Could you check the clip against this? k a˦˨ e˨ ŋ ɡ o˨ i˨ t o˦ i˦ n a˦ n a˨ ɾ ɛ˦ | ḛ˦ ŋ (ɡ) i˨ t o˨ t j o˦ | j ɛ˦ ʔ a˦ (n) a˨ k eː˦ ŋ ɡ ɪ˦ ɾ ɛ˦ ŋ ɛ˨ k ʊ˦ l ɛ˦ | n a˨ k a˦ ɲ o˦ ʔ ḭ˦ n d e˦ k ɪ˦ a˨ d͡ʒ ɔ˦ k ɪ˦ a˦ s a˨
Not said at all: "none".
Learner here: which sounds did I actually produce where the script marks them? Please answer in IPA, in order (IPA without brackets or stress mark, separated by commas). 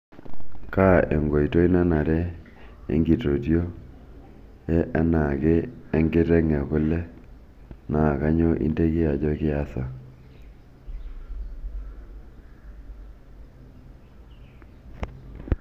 ɡ, n